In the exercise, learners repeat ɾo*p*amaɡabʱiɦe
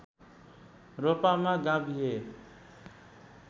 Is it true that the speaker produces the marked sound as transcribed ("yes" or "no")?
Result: yes